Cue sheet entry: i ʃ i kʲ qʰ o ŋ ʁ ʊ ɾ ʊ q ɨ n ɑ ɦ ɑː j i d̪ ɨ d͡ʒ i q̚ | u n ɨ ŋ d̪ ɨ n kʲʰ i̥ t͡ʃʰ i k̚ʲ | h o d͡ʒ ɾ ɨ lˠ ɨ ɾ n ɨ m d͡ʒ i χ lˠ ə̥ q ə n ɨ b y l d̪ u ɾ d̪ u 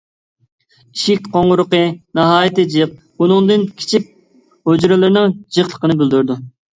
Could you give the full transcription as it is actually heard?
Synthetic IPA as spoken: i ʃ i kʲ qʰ o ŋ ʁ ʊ ɾ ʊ q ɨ n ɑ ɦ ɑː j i t̪ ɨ d͡ʒ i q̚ | u n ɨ ŋ d̪ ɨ n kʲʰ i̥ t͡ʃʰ i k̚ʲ | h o d͡ʒ ɾ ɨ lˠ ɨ ɾ n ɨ ŋ d͡ʒ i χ lˠ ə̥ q ə n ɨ b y l d̪ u ɾ d̪ u